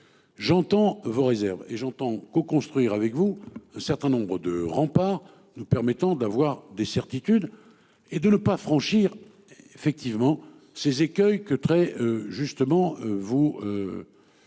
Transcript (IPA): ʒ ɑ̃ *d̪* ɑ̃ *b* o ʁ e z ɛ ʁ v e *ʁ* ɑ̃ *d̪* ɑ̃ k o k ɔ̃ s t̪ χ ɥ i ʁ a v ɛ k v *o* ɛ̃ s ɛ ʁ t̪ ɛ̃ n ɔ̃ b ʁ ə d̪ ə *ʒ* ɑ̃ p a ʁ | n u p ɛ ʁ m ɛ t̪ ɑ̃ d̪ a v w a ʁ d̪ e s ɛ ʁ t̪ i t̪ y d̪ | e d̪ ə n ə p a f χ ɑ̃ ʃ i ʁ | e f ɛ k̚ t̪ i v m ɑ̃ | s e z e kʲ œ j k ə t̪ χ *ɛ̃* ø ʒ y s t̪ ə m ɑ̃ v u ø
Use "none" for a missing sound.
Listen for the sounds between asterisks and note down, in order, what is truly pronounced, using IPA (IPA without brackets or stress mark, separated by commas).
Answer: t̪, v, ʒ, t̪, u, ʁ, ɛ